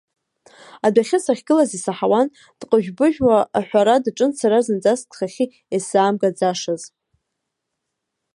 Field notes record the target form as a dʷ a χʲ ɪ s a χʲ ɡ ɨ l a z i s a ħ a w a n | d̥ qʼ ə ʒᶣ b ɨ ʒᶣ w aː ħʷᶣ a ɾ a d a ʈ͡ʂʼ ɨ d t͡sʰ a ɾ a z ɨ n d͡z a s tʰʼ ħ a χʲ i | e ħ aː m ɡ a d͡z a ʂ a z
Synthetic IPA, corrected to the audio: a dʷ a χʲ ɪ s a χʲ ɡ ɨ l a z i s a ħ a w a n | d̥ qʼ ə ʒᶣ b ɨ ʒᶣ w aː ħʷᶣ a ɾ a d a ʈ͡ʂʼ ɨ n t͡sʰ a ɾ a z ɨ n d͡z a s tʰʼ χ a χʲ i | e s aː m ɡ a d͡z a ʂ a z